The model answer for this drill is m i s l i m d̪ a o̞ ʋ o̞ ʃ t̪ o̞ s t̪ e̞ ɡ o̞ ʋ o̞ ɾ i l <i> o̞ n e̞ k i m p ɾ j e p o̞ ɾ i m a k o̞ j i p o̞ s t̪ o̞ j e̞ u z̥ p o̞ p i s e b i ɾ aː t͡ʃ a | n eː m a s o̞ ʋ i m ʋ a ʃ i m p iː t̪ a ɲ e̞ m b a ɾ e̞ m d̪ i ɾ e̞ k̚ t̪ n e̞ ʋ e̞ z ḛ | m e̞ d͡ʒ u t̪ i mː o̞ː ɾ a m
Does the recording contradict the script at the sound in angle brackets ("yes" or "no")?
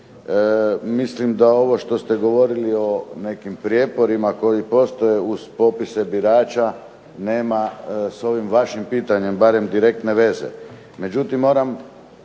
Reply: no